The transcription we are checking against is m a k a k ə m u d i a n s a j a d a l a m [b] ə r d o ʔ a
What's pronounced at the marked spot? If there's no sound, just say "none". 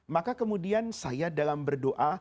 b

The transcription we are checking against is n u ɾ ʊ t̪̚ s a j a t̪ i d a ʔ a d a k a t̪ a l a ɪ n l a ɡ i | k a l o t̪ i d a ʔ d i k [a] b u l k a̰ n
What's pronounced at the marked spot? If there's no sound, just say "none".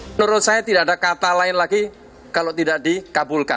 a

